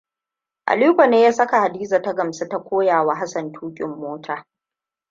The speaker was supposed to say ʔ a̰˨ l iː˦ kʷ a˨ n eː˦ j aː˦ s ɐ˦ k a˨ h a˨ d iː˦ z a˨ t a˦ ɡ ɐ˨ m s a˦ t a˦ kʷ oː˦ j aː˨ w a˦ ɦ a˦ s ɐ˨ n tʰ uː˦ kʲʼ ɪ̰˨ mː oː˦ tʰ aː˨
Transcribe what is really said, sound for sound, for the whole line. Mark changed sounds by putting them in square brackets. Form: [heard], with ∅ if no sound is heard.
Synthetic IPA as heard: ʔ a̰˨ l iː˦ kʷ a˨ n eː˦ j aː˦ s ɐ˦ k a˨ h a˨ d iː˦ z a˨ t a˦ ɡ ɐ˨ m s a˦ t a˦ kʷ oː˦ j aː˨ w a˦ ɦ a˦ s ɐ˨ n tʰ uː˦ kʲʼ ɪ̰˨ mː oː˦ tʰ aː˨